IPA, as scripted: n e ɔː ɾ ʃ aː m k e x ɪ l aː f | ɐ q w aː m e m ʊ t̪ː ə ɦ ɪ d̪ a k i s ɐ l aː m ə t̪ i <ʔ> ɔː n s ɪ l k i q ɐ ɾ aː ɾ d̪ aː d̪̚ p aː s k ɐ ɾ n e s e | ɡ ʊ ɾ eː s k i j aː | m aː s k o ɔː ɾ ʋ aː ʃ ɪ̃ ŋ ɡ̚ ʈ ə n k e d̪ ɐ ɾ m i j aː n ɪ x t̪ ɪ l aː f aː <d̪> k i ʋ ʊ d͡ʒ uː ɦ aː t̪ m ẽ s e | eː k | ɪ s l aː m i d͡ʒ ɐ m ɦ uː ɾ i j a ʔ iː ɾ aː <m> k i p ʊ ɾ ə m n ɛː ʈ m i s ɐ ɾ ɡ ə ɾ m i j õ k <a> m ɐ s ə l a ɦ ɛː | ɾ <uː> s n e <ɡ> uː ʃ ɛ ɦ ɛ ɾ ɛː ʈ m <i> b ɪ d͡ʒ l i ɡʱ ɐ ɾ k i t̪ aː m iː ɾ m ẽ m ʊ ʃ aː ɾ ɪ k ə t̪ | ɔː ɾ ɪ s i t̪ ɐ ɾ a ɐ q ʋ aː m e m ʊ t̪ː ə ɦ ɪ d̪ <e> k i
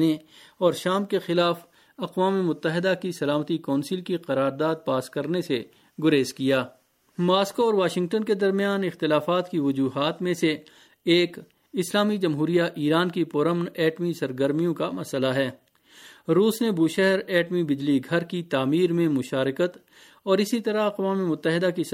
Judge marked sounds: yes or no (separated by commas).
no, no, no, yes, yes, no, yes, no